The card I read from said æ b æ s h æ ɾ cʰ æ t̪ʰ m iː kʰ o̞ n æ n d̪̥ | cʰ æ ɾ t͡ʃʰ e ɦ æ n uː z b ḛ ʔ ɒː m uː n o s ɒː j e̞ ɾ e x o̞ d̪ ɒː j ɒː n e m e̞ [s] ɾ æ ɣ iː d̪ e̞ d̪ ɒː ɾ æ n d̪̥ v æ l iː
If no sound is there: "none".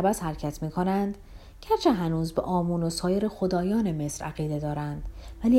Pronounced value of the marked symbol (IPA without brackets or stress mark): s